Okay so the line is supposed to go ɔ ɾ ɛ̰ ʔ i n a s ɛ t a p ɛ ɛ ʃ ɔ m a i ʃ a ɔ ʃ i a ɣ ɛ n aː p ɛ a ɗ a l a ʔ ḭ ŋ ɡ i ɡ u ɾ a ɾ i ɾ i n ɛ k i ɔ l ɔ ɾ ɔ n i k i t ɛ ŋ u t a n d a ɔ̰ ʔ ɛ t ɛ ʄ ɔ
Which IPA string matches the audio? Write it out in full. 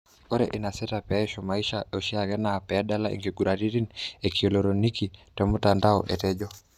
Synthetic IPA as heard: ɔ ɾ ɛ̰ ʔ i n a s ɛ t a p ɛ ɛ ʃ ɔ m a i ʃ a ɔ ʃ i a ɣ ɛ n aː p ɛ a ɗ a l a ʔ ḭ ŋ ɡ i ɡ u ɾ a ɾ i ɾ i n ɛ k i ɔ l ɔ ɾ ɔ n i k i t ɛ m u t a n d a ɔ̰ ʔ ɛ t ɛ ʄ ɔ

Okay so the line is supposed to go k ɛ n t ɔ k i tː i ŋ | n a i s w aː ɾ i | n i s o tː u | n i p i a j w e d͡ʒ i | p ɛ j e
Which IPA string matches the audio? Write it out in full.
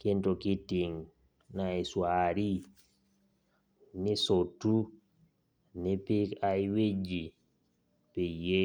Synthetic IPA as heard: k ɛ n t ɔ k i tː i ŋ | n a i s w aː ɾ i | n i s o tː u | n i p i a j w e d͡ʒ i | p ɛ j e

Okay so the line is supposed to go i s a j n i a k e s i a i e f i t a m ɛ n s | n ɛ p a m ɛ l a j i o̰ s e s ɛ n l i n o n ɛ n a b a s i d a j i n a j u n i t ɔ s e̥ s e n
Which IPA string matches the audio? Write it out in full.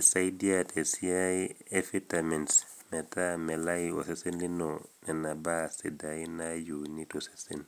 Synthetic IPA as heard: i s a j d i a t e s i a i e f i t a m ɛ n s | m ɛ t a m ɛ l a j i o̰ s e s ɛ n l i n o n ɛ n a b a s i d a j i n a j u n i t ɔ s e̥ s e n

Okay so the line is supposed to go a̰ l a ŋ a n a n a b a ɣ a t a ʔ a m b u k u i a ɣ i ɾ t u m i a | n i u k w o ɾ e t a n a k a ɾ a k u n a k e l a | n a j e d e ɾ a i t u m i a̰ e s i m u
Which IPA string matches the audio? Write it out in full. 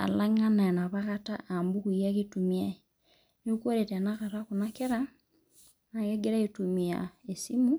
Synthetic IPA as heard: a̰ l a ŋ a n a n a β a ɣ a t a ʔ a m b u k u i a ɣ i t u m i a | n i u k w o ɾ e t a n a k a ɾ a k u n a k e ɾ a | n a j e ɡ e ɾ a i t u m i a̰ e s i m u

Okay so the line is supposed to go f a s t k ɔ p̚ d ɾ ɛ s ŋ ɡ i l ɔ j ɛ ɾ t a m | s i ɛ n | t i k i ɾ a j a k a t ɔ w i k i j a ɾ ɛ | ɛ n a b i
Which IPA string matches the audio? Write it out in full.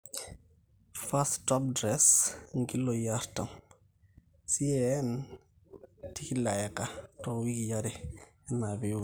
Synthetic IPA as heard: f a s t t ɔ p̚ d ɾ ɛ s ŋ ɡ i l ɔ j a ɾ t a m | s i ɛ n | t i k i l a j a k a t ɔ w i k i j a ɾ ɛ | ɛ n a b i

